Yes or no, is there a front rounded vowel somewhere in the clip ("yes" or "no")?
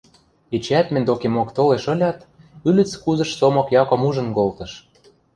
yes